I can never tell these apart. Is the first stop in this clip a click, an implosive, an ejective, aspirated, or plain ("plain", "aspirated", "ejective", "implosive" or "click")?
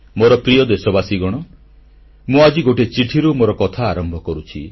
plain